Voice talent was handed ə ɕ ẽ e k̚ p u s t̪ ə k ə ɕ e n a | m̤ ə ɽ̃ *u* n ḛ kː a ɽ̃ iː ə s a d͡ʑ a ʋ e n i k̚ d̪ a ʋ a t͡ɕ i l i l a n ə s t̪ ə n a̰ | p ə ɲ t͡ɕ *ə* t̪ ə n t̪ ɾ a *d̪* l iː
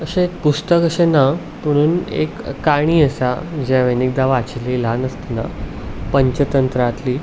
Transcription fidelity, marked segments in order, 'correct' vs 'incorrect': incorrect: uː, correct, incorrect: t̪

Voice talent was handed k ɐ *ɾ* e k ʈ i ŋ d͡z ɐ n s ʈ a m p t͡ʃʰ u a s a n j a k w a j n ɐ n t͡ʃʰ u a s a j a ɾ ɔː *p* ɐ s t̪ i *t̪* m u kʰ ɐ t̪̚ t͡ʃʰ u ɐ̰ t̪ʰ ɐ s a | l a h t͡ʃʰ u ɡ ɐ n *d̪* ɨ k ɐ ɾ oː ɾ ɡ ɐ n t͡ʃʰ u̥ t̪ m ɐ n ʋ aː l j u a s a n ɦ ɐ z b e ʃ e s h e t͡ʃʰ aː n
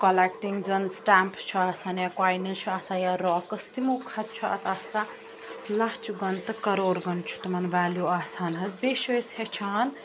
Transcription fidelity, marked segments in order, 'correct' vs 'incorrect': incorrect: l, incorrect: k, incorrect: none, incorrect: t̪

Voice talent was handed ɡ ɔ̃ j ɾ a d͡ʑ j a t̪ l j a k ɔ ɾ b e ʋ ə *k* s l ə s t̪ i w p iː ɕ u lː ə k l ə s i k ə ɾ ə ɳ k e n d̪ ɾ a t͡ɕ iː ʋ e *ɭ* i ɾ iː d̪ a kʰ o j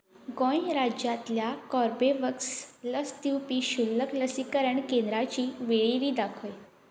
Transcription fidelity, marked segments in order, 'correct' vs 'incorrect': correct, correct

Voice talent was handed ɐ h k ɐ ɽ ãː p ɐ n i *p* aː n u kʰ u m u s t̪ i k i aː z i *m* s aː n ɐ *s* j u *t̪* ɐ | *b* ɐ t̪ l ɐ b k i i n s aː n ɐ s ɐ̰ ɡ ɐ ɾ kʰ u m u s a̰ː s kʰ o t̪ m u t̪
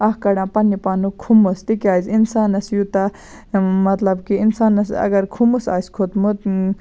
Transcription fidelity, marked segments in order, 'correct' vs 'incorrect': correct, incorrect: n, correct, correct, incorrect: m

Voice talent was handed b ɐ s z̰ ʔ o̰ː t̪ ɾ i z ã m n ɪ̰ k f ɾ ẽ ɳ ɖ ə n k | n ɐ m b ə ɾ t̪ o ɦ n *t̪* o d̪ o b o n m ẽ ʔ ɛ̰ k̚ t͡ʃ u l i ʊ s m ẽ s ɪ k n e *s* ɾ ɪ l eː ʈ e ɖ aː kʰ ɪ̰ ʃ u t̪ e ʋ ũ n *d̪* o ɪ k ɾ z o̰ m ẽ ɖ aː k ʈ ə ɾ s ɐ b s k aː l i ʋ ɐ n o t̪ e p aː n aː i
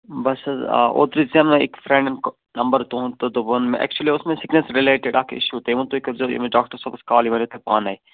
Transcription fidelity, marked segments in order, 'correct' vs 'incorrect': correct, correct, incorrect: t̪

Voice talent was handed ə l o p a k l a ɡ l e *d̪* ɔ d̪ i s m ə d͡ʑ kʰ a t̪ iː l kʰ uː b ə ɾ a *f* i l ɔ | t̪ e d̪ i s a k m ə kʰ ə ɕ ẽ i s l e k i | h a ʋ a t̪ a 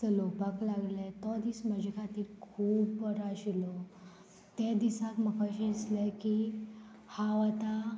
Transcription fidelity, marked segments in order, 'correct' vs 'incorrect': incorrect: t̪, incorrect: ɕ

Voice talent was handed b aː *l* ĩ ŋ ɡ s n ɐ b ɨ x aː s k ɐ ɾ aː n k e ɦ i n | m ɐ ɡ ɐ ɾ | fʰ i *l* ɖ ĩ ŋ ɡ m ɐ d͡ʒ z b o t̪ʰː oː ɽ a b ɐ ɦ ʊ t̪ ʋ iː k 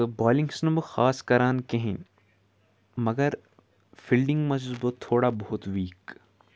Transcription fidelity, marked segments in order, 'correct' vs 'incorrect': correct, correct

